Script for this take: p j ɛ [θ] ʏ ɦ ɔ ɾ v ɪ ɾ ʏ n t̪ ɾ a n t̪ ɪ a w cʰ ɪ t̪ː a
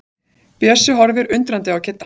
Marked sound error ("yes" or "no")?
yes